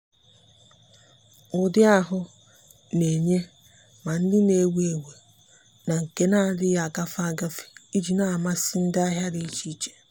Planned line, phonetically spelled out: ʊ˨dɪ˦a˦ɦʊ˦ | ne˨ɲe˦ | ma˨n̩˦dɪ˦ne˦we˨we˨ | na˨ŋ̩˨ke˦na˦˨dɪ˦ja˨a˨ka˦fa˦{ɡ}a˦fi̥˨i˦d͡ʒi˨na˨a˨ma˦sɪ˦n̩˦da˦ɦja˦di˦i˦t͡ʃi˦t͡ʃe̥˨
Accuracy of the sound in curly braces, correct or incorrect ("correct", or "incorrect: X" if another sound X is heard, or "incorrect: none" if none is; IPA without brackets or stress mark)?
correct